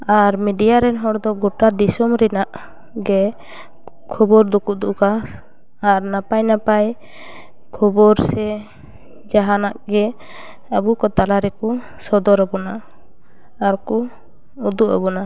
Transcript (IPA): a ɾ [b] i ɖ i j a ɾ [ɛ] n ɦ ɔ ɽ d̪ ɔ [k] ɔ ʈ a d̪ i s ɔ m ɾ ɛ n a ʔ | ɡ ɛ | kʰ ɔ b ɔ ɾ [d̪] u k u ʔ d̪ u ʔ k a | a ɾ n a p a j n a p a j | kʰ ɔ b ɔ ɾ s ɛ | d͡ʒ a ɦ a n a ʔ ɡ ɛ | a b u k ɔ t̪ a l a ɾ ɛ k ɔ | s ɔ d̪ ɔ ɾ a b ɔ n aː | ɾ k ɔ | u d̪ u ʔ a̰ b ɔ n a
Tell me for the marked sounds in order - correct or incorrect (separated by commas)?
incorrect, correct, incorrect, correct